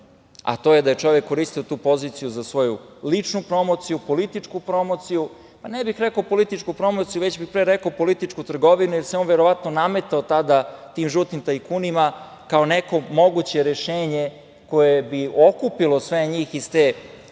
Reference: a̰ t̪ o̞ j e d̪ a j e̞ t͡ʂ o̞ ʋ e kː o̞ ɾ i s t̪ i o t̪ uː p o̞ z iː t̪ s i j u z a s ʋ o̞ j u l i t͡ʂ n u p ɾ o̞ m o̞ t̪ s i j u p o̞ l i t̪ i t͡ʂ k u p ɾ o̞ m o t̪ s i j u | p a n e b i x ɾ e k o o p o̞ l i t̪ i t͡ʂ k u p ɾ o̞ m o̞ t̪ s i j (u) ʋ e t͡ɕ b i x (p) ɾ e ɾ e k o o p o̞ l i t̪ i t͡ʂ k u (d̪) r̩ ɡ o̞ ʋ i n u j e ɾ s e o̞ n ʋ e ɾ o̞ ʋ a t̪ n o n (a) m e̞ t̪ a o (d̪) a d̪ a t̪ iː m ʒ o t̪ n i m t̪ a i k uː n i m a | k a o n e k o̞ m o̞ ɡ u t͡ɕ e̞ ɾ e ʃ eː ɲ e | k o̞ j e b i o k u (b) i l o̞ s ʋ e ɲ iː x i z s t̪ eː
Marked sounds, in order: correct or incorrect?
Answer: correct, correct, incorrect: t̪, correct, incorrect: t̪, incorrect: p

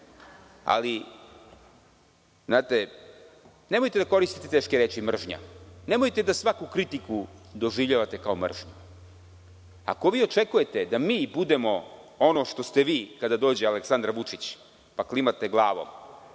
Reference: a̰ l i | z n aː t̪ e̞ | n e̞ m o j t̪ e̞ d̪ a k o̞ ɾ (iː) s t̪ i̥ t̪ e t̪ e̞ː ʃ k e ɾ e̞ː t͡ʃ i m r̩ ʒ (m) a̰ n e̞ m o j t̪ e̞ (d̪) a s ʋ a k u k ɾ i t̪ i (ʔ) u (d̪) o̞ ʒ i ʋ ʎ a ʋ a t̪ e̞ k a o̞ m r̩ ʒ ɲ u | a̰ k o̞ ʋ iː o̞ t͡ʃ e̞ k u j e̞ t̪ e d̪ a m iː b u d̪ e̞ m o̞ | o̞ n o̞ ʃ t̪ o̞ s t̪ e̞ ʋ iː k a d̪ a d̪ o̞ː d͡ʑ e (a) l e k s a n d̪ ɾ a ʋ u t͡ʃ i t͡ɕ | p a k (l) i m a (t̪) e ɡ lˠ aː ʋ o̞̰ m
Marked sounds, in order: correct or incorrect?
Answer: incorrect: i, incorrect: ɲ, correct, incorrect: k, correct, correct, correct, correct

